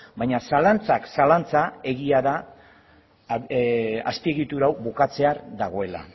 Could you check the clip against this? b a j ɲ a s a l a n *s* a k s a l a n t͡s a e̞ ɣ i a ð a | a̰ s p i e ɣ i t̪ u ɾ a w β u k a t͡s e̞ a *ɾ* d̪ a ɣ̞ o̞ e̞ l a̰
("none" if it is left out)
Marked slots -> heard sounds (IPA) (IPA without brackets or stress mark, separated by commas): t͡s, ɾ